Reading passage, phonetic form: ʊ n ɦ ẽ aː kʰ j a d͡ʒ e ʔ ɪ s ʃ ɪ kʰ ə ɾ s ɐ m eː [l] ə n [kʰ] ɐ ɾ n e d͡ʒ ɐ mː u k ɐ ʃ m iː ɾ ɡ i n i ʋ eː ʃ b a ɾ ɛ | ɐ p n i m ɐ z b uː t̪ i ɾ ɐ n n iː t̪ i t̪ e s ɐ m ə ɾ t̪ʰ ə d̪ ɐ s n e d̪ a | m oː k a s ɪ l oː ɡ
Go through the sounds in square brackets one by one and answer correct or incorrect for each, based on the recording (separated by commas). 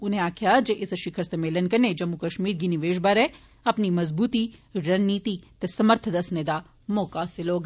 correct, incorrect